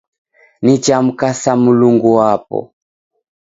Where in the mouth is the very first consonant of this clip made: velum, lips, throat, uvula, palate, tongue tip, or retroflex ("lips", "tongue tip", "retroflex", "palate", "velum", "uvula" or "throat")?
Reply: tongue tip